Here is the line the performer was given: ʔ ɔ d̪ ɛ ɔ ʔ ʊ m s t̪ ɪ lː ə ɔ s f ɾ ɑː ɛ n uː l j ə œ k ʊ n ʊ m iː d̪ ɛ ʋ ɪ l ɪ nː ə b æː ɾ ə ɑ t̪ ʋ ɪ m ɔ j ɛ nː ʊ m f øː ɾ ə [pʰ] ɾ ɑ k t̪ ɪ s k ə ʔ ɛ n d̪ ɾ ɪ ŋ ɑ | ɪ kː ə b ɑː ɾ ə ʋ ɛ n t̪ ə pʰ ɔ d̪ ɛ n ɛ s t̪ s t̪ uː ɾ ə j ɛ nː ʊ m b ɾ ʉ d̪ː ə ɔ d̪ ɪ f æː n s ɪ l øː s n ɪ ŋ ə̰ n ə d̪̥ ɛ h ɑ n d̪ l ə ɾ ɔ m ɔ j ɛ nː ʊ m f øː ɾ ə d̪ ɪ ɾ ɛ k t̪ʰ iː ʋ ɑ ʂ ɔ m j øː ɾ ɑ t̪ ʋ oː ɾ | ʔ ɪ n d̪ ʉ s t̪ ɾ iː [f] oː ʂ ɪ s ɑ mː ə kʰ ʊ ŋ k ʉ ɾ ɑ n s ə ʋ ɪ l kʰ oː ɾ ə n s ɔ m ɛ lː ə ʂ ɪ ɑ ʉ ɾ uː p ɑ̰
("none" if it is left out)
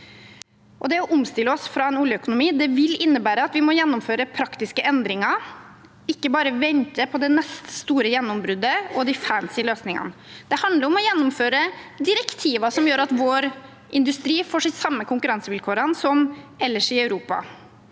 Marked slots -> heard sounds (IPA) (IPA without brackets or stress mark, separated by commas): pʰ, f